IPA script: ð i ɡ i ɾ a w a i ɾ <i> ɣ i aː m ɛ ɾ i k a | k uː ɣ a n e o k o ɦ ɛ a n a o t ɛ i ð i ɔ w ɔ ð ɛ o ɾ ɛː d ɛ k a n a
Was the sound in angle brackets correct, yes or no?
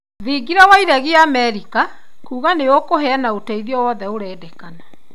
no